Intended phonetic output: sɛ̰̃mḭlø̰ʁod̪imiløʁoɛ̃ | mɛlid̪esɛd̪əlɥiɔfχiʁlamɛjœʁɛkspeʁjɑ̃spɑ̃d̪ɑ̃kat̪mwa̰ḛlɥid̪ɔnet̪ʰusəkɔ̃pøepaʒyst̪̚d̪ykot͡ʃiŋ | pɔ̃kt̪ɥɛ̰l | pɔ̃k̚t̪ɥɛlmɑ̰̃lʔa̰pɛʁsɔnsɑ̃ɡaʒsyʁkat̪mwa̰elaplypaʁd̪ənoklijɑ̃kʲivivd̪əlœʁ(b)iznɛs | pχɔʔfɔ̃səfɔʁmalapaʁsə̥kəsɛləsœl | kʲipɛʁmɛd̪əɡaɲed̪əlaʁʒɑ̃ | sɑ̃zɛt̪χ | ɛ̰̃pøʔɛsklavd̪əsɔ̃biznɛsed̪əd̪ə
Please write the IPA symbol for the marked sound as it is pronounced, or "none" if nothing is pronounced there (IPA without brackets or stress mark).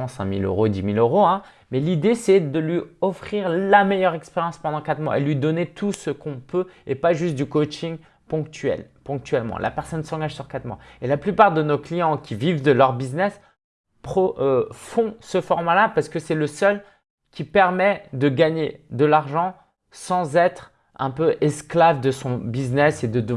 b